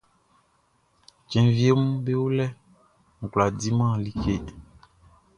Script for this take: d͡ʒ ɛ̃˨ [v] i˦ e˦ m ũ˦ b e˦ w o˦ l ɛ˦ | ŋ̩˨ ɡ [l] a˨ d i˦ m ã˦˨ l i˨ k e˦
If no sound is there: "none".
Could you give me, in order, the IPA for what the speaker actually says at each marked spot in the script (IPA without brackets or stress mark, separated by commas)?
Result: v, l